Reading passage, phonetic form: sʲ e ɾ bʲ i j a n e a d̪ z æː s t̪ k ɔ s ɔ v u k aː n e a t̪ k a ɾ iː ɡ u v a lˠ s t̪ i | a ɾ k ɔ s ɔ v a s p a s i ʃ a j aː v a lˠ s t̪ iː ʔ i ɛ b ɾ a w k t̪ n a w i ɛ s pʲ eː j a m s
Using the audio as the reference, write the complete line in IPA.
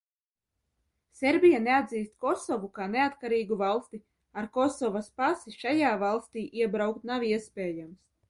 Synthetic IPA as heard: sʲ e ɾ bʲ i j a n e a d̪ z iː s t̪ k ɔ s ɔ v u k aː n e a t̪ k a ɾ iː ɡ u v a lˠ s t̪ i | a ɾ k ɔ s ɔ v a s p a s i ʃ a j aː v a lˠ s t̪ iː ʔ i ɛ b ɾ a w k t̪ n a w i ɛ s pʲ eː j a m s